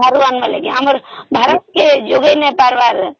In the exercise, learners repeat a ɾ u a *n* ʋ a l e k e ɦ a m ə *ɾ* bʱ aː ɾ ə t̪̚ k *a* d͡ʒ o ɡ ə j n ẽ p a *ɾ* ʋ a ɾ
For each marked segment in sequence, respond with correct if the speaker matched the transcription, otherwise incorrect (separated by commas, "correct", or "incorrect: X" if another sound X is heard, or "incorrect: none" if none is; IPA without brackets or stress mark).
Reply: correct, correct, incorrect: e, correct